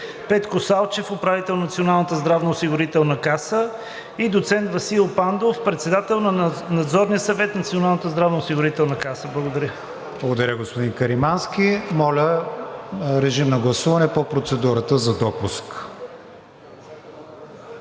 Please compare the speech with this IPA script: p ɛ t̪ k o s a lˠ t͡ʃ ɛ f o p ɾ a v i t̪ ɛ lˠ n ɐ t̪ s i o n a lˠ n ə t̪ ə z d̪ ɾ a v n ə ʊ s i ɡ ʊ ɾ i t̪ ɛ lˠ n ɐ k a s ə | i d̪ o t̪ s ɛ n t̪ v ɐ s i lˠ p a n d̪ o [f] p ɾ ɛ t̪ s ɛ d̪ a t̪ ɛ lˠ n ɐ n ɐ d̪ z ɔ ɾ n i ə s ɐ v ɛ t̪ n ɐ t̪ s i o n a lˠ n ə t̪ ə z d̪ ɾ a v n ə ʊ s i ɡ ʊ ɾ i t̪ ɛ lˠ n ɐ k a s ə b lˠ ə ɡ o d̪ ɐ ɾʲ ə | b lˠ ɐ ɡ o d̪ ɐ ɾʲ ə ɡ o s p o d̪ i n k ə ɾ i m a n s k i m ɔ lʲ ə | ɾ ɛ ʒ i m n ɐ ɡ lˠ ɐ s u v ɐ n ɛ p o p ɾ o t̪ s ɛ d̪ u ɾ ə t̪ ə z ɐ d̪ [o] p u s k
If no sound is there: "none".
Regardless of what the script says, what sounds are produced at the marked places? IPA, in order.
f, ɔ

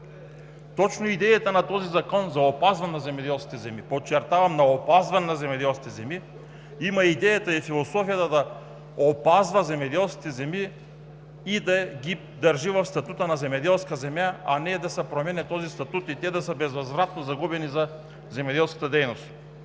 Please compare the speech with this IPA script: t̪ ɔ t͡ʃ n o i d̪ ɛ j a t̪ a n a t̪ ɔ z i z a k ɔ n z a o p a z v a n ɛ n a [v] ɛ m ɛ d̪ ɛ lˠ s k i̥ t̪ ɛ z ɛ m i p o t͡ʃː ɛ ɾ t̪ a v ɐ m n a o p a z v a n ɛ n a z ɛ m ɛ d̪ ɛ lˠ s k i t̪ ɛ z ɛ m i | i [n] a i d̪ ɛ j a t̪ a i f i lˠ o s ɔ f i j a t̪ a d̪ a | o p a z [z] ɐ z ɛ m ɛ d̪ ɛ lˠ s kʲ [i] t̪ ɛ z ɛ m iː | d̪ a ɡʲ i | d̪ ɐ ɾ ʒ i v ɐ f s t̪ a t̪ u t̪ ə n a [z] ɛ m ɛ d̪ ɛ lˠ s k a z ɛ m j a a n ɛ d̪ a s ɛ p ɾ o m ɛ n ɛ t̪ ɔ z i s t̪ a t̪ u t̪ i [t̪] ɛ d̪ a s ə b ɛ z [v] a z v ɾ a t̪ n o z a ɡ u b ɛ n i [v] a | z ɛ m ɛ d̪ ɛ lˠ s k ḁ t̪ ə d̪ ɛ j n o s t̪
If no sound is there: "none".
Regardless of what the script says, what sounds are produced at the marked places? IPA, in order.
z, m, v, i, z, t̪, v, z

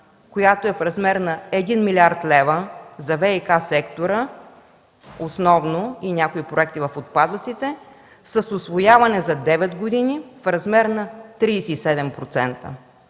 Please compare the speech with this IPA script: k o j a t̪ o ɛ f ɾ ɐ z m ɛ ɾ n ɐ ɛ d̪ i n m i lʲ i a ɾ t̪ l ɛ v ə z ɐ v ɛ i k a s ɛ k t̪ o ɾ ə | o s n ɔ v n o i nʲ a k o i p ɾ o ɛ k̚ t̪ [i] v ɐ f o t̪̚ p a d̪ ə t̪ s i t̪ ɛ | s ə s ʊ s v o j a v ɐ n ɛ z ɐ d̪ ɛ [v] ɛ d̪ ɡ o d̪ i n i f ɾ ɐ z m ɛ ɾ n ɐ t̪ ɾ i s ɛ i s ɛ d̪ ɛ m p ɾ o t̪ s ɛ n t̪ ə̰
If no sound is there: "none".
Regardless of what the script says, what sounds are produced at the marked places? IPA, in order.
i, v

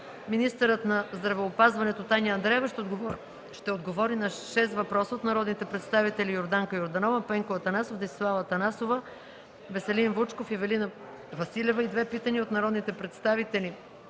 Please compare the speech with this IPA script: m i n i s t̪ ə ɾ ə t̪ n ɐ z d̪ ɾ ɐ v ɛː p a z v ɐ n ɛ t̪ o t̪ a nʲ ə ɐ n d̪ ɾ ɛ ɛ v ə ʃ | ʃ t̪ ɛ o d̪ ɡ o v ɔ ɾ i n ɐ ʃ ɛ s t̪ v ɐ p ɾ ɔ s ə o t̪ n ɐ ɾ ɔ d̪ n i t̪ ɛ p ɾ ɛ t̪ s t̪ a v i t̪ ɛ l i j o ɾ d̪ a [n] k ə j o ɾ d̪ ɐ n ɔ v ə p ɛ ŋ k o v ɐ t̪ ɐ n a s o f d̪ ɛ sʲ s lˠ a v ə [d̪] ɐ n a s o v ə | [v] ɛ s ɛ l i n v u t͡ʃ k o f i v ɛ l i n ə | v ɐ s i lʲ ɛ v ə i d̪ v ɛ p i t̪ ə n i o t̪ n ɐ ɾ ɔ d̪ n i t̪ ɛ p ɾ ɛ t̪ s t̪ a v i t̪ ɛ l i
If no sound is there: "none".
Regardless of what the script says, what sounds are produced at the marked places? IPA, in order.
ŋ, t̪, v

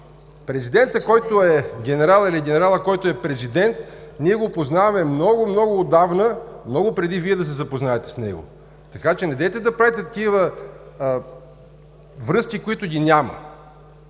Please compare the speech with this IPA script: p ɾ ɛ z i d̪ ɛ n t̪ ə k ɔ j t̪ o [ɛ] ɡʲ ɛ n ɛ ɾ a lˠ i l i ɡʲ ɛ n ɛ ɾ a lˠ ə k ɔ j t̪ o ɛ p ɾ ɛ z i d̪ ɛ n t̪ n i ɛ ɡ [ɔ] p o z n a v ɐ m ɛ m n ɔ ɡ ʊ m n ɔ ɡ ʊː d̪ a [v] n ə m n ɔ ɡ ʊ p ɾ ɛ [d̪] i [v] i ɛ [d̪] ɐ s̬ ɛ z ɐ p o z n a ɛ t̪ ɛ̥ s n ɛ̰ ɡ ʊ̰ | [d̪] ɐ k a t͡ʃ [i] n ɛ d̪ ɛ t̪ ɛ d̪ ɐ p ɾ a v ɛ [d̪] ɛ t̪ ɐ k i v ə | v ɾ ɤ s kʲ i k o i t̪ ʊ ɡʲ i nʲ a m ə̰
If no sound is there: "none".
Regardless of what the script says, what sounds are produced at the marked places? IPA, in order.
ɛ, o, v, d̪, v, d̪, t̪, ɛ, t̪

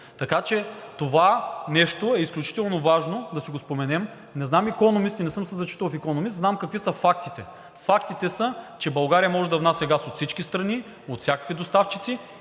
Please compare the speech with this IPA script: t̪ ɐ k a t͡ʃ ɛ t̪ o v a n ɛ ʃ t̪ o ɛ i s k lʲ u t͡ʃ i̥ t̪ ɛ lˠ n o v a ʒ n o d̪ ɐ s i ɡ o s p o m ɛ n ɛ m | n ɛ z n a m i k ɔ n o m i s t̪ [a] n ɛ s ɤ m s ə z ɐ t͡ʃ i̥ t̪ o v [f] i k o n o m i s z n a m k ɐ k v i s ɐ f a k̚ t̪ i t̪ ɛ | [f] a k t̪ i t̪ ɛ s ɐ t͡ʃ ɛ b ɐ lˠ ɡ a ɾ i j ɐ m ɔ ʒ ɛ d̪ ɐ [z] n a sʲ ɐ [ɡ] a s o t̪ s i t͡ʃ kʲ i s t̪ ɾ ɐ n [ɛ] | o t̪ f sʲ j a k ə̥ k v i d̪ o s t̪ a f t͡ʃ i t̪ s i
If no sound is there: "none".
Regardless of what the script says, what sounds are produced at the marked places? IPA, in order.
i, f, f, v, ɡ, i

